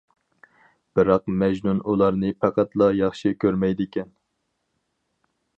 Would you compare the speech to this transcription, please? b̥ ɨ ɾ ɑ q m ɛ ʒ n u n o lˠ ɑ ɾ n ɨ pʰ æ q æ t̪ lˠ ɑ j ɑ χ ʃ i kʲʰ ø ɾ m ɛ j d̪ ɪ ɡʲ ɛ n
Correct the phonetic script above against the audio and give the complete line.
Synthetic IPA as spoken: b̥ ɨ ɾ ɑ q m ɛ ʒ n u n u lˠ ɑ ɾ n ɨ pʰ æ q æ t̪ lˠ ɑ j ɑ χ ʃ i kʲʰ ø ɾ m ɛ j d̪ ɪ kʲ ɛ n